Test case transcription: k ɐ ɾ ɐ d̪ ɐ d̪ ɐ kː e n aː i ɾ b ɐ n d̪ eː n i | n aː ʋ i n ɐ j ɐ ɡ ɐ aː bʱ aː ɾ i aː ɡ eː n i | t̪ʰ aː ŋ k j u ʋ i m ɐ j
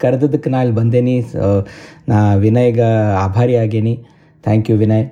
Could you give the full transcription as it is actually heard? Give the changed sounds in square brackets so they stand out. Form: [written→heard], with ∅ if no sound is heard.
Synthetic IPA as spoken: k ɐ ɾ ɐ d̪ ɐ d̪ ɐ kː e n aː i [ɾ→l] b ɐ n d̪ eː n i | n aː ʋ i n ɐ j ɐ ɡ ɐ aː bʱ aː ɾ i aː ɡ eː n i | t̪ʰ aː ŋ k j u ʋ i [m→n] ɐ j